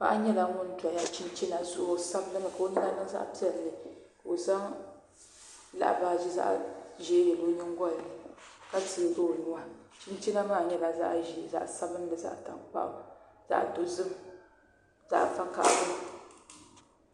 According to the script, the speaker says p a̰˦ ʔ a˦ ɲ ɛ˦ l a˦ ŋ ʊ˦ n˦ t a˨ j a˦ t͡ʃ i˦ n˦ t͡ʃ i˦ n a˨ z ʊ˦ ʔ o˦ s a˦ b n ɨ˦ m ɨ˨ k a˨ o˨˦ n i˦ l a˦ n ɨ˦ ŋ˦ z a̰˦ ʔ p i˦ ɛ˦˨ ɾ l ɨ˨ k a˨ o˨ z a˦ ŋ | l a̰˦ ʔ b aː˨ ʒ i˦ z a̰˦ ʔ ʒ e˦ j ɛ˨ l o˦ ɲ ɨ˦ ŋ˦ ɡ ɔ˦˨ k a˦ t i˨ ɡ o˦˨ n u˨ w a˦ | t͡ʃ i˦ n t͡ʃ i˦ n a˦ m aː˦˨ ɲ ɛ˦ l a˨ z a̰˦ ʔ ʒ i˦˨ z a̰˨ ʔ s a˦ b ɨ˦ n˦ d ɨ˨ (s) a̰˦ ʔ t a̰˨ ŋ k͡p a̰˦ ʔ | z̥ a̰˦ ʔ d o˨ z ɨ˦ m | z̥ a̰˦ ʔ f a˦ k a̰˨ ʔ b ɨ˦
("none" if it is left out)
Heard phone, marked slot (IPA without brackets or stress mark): z